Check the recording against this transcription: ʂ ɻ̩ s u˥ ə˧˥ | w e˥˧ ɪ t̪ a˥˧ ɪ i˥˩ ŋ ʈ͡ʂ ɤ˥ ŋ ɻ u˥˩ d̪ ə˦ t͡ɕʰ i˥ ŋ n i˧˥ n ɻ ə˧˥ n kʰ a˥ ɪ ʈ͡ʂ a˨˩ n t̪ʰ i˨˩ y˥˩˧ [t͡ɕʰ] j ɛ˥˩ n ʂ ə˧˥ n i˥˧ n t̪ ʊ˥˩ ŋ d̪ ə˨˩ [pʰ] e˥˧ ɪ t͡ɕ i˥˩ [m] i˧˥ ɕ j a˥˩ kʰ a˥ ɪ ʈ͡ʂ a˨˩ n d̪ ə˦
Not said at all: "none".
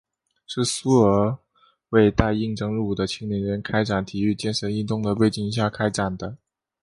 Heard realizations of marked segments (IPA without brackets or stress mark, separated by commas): t͡ɕ, p, ŋ